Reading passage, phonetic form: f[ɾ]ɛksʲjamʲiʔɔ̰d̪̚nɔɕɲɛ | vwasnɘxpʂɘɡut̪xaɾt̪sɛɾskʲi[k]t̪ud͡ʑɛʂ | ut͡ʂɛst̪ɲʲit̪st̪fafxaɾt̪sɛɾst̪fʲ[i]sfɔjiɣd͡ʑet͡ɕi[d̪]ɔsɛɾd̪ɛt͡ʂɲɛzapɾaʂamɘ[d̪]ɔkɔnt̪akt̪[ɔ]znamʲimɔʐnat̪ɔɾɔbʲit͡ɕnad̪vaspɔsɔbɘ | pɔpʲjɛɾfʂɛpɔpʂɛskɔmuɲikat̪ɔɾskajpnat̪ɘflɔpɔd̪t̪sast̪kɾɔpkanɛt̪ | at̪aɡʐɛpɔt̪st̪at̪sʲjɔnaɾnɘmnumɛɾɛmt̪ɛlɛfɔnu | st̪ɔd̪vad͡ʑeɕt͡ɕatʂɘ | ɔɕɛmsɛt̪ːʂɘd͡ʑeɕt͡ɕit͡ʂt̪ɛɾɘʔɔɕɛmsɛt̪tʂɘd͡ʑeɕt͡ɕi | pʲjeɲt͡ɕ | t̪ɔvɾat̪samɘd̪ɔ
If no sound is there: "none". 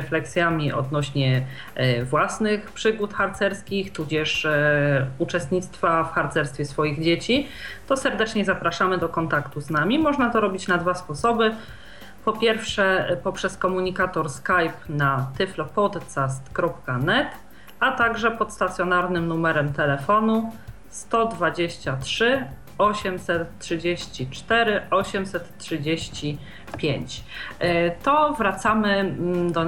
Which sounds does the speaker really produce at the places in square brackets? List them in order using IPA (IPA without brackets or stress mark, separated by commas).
l, x, ɛ, t̪, d̪, u